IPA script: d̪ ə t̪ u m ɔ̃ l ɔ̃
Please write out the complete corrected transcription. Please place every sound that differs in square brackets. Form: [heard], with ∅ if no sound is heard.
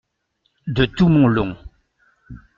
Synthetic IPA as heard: d̪ ə t̪ u m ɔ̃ l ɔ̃